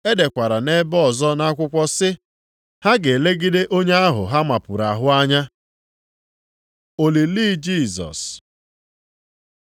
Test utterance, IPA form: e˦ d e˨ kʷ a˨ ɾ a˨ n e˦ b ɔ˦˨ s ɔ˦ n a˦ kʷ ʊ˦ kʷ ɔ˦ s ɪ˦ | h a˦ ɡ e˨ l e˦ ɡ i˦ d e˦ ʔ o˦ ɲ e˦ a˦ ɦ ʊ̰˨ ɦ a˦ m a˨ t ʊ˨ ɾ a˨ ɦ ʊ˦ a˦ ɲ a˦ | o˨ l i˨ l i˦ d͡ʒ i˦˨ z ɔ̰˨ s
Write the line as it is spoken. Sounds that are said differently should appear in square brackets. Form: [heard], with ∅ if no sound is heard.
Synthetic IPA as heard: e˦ d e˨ kʷ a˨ ɾ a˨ n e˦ b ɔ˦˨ [z] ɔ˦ n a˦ kʷ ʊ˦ kʷ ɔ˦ s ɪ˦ | h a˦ ɡ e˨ l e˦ ɡ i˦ d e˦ ʔ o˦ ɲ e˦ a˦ ɦ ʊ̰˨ ɦ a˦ m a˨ [p] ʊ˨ ɾ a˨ ɦ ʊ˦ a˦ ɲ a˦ | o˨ l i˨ l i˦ d͡ʒ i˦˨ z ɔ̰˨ s

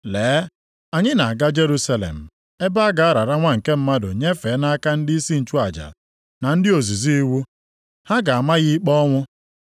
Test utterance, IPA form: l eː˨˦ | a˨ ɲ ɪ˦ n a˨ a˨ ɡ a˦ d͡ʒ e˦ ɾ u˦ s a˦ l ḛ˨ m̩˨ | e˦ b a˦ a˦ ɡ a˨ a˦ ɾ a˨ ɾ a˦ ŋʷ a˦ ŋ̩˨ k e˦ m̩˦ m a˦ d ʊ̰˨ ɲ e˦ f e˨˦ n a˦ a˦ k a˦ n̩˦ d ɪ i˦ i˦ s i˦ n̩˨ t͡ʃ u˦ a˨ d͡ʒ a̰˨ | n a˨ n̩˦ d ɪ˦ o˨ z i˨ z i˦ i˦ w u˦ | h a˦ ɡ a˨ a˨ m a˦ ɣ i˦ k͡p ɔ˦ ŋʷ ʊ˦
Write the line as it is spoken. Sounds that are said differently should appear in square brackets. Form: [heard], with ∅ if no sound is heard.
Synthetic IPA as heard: l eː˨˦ | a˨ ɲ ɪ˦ n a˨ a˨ ɡ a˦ d͡ʒ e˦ ɾ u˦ s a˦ l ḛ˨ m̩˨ | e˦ b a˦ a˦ ɡ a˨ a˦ ɾ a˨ ɾ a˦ ŋʷ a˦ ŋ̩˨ k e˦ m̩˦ m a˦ d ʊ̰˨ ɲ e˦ f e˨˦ n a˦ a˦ k a˦ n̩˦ d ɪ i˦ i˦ s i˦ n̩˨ t͡ʃ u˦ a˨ d͡ʒ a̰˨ | n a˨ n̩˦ d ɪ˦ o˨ z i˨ z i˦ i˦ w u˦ | h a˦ ɡ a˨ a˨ m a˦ ɣ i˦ k͡p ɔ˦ ŋʷ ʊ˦

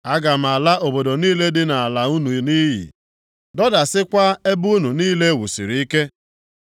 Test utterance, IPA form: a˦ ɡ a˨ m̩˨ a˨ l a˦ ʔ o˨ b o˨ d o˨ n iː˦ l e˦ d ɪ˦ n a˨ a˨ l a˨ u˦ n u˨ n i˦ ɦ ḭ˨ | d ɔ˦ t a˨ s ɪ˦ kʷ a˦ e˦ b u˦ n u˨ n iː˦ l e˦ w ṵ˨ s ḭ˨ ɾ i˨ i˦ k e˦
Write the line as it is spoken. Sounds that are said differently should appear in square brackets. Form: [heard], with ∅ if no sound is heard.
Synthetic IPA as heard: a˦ ɡ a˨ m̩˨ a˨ l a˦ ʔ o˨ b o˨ d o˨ n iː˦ l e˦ d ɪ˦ n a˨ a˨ l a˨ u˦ n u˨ n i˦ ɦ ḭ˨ | d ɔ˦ [d] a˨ s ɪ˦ kʷ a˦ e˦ b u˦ n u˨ n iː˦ l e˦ w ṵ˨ s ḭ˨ ɾ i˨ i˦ k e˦

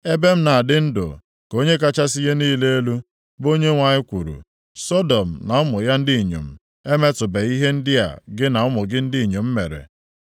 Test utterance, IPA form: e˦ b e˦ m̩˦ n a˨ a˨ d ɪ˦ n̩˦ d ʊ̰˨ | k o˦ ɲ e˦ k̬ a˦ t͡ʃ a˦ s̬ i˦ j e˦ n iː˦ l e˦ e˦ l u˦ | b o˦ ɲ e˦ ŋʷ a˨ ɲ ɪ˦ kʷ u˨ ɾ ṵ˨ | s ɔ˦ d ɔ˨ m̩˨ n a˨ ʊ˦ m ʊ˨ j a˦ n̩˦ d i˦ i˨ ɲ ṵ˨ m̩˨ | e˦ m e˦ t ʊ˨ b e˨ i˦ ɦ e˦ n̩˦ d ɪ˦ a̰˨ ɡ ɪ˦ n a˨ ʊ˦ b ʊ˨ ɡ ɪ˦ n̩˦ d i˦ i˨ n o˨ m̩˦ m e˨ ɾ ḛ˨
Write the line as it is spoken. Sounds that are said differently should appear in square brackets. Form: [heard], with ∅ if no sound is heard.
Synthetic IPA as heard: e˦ b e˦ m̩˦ n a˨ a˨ d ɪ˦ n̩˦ d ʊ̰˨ | k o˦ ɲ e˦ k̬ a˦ t͡ʃ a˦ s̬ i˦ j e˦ n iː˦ l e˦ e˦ l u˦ | b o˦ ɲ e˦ ŋʷ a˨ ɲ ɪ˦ kʷ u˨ ɾ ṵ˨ | s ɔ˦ d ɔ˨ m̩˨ n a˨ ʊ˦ m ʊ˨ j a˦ n̩˦ d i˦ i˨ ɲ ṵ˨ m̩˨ | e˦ m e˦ t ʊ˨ b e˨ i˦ ɦ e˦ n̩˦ d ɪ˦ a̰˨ ɡ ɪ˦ n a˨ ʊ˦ [m] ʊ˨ ɡ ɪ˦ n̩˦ d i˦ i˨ [ɲ] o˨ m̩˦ m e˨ ɾ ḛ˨

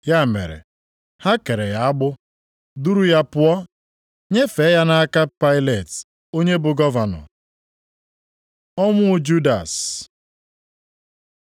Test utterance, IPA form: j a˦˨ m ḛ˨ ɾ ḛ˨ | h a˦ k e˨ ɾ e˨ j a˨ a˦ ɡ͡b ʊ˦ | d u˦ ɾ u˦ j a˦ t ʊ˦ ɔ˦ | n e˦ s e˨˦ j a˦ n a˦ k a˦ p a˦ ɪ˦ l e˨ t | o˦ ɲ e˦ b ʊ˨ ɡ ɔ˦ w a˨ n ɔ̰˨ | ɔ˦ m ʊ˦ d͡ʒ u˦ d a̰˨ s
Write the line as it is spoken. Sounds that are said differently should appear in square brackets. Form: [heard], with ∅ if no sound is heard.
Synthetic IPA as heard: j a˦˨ m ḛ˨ ɾ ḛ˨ | h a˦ k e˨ ɾ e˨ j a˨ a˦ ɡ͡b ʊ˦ | d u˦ ɾ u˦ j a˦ [p] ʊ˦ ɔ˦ | [ɲ] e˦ [f] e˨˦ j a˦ n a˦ k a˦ p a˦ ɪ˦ l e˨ t | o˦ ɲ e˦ b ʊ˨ ɡ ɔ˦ [v] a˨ n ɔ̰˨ | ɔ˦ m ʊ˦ d͡ʒ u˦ d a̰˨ s

